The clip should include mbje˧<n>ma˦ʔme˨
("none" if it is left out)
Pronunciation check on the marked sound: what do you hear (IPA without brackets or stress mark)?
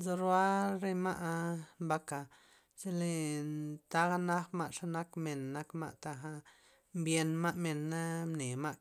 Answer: n